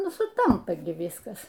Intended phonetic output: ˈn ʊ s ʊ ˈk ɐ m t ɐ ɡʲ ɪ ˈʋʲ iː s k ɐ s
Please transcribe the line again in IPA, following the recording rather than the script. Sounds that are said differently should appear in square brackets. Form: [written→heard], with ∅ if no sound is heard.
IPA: ˈn ʊ s ʊ [ˈk→ˈt] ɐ m [t→p] ɐ ɡʲ ɪ ˈʋʲ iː s k ɐ s